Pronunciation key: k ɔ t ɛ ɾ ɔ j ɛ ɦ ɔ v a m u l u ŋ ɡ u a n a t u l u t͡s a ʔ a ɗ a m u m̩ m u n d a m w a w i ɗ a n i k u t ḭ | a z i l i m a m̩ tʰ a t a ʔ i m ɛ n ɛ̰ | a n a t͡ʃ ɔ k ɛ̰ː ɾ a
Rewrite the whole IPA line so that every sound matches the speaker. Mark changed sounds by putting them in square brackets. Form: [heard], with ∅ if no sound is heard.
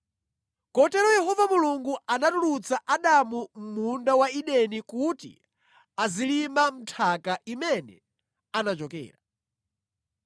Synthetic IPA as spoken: k ɔ t ɛ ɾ ɔ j ɛ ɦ ɔ v a m u l u ŋ ɡ u a n a t u l u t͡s a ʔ a ɗ a m u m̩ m u n d a [∅] w a [∅] i ɗ [ɛ] n i k u t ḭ | a z i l i m a m̩ tʰ a [k] a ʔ i m ɛ n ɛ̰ | a n a t͡ʃ ɔ k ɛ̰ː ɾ a